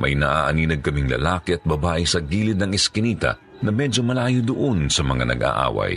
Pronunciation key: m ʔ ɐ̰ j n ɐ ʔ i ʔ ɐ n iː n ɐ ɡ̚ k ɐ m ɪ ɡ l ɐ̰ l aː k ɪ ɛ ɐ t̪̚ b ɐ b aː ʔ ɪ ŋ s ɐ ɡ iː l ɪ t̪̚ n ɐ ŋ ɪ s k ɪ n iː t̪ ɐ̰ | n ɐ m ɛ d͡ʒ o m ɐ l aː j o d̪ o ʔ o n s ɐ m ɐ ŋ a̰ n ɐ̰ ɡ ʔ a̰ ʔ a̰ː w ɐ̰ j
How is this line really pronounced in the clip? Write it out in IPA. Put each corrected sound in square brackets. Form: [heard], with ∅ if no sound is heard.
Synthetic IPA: m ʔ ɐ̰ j n ɐ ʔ [a] ʔ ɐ n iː n ɐ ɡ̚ k ɐ m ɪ [ŋ] l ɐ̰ l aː k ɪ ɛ ɐ t̪̚ b ɐ b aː ʔ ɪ [∅] s ɐ ɡ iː l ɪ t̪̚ n ɐ ŋ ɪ s k ɪ n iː t̪ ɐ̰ | n ɐ m ɛ d͡ʒ o m ɐ l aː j o d̪ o ʔ o n s ɐ m ɐ ŋ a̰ n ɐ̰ ɡ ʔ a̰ ʔ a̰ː w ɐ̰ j